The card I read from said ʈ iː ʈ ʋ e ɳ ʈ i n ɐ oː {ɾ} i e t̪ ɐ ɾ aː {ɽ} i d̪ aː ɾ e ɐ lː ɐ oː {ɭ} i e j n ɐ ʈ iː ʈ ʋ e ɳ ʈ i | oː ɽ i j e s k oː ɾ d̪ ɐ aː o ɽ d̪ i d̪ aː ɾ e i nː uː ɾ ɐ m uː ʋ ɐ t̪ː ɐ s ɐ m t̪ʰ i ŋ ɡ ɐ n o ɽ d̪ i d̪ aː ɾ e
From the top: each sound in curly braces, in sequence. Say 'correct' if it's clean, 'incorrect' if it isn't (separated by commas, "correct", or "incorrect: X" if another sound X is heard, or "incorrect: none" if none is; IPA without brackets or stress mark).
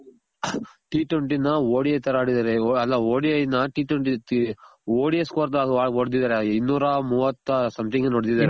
incorrect: ɽ, correct, incorrect: ɽ